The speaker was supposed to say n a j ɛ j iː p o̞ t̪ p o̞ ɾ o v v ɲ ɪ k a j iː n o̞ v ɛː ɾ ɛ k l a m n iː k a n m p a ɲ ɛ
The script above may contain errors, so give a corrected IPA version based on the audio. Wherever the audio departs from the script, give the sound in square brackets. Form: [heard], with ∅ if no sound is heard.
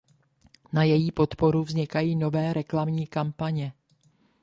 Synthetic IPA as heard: n a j ɛ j iː p o̞ t̪ p o̞ ɾ [u] v [z] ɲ ɪ k a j iː n o̞ v ɛː ɾ ɛ k l a m [ɲ] iː k a [∅] m p a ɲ ɛ